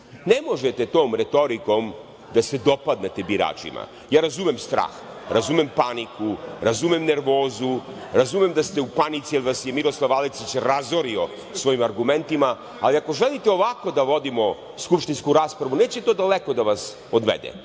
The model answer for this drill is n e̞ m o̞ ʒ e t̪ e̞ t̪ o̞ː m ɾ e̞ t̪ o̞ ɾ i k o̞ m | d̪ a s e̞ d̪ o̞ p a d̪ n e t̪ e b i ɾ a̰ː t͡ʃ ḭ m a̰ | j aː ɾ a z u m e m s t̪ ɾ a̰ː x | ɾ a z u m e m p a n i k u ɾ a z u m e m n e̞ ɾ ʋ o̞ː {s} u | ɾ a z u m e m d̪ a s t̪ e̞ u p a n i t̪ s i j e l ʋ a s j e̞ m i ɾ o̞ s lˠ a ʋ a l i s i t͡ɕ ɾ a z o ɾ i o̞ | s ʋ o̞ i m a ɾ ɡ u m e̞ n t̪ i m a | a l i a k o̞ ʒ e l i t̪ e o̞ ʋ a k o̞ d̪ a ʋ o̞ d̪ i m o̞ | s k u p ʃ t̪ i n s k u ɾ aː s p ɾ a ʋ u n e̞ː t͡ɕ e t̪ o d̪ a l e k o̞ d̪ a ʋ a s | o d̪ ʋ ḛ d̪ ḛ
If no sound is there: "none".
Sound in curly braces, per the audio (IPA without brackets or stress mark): z